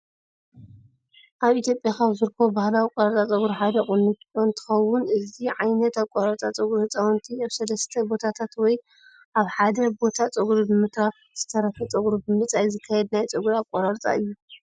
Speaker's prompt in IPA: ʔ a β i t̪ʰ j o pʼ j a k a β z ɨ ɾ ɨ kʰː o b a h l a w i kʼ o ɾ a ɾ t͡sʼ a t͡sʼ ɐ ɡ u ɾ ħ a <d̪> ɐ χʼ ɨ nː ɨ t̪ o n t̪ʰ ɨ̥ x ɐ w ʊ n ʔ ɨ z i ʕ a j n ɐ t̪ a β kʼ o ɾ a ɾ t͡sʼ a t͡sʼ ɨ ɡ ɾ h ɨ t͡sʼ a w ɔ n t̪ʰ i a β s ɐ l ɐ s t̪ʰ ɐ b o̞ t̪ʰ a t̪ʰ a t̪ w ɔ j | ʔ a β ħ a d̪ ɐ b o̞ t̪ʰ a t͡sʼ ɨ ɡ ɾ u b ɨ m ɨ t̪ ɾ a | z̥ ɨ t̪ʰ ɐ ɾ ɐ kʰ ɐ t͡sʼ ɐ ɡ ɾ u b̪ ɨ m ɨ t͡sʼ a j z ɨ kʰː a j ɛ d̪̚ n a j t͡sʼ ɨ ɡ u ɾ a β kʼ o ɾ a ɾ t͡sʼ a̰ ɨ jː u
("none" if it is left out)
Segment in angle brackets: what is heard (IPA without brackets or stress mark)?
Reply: d̪